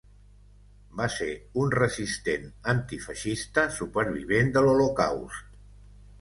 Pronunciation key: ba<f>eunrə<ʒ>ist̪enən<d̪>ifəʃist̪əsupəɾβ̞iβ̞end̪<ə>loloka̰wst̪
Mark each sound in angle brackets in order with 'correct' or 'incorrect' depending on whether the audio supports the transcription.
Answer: incorrect, incorrect, incorrect, correct

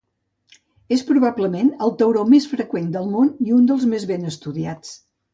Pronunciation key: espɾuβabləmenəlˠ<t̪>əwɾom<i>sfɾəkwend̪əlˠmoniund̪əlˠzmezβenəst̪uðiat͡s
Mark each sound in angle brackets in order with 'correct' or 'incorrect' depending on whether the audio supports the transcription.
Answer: correct, incorrect

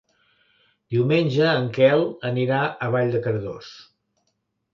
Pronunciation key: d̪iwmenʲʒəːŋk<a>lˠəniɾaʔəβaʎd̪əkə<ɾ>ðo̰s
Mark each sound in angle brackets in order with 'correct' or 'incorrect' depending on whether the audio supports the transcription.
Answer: incorrect, correct

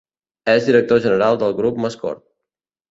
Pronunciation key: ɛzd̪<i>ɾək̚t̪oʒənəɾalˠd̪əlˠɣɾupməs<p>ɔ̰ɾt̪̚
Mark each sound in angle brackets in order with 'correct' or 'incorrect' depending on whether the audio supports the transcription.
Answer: correct, incorrect

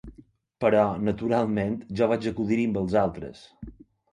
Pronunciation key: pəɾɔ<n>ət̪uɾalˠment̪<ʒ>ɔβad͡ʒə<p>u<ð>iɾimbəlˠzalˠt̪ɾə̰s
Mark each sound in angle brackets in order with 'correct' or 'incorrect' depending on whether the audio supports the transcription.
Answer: correct, correct, incorrect, correct

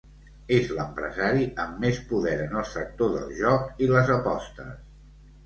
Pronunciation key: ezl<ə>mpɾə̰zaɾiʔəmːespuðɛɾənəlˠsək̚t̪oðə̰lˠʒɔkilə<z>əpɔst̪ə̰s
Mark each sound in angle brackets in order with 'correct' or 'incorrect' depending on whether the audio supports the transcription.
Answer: correct, correct

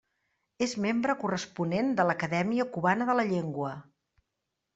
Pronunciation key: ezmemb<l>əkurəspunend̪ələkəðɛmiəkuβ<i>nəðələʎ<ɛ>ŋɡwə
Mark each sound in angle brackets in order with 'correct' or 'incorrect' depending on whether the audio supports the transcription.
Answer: incorrect, incorrect, incorrect

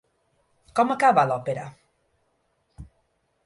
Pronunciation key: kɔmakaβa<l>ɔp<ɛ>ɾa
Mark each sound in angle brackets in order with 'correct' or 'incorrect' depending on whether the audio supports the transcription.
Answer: correct, incorrect

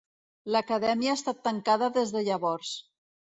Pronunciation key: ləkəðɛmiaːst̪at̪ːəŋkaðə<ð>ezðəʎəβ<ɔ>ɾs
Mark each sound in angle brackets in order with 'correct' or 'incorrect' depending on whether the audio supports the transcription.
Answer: correct, correct

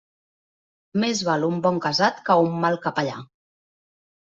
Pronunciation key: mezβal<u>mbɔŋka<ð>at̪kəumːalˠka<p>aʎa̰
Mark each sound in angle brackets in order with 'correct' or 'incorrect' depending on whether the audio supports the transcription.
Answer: correct, incorrect, correct

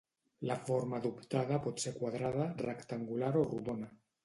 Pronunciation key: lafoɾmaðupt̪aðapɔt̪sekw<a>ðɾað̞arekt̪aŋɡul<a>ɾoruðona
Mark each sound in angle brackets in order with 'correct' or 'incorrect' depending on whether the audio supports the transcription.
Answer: correct, correct

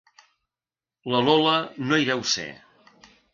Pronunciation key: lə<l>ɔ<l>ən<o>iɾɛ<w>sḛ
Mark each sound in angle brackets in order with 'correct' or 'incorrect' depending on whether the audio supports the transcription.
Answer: correct, correct, correct, correct

